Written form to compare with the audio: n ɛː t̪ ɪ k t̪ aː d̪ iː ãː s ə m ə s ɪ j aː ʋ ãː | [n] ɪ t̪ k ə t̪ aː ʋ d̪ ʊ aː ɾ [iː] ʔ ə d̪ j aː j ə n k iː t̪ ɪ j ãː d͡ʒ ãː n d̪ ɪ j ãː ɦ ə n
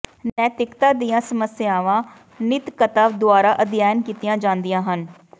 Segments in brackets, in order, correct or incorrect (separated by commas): correct, incorrect